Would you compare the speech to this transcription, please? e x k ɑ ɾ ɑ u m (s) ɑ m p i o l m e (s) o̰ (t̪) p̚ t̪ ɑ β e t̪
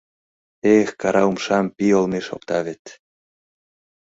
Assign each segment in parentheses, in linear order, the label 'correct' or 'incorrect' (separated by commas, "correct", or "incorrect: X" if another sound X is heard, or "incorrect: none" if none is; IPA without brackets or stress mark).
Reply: incorrect: ʃ, incorrect: ʃ, incorrect: none